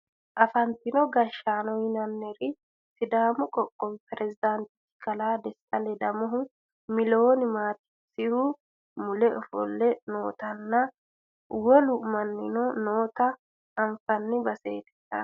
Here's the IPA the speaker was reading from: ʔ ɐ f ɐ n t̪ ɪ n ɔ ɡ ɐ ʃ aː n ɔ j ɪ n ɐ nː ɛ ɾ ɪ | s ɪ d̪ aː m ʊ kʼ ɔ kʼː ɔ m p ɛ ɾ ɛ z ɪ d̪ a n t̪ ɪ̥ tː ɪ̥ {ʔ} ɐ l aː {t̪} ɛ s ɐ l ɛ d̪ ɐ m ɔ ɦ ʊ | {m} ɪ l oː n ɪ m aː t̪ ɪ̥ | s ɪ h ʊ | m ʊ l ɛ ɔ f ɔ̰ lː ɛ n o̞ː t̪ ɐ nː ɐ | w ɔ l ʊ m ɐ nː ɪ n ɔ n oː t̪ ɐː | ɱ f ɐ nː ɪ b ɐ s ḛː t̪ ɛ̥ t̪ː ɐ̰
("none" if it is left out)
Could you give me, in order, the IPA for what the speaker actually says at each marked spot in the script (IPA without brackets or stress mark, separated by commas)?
k, d̪, m